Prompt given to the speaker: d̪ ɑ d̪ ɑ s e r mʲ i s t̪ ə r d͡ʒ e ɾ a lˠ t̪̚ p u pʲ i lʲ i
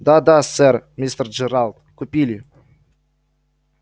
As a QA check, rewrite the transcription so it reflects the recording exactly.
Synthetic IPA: d̪ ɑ d̪ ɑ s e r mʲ i s t̪ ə r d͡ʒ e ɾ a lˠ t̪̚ k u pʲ i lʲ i